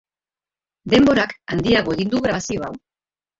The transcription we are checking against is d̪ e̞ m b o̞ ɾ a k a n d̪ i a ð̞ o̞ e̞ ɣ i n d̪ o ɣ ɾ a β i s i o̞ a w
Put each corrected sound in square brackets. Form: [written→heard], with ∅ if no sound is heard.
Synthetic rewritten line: d̪ e̞ m b o̞ ɾ a k a n d̪ i a [ð̞→ɣ̞] o̞ e̞ ɣ i n d̪ [o→u] ɣ ɾ a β [i→a] s i o̞ a w